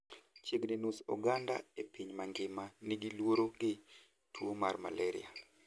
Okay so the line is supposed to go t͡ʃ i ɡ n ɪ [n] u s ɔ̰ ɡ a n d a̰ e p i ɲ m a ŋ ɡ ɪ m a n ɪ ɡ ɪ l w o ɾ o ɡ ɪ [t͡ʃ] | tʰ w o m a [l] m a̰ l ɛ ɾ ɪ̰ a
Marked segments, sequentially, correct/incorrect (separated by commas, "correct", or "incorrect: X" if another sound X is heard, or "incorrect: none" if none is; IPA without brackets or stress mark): correct, incorrect: none, incorrect: r